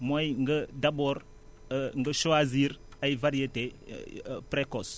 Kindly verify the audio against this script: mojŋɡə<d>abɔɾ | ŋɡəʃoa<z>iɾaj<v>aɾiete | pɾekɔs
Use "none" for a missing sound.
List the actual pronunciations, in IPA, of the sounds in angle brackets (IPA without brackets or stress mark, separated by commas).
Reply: d, z, v